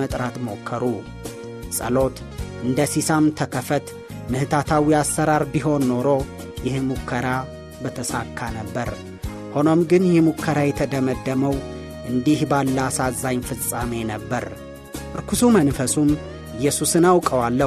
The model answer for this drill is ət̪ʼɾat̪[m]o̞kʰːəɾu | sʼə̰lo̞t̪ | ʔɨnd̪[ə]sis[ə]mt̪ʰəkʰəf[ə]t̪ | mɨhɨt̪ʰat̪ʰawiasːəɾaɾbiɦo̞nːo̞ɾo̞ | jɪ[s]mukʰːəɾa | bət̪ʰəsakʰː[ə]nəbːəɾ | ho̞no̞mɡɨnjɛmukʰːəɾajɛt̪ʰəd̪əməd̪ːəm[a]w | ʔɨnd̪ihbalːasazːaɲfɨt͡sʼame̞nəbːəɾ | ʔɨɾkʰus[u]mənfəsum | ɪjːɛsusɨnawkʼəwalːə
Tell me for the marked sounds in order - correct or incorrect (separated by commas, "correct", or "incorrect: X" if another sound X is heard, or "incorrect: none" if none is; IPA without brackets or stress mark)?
correct, correct, incorrect: a, correct, incorrect: h, incorrect: a, incorrect: ə, correct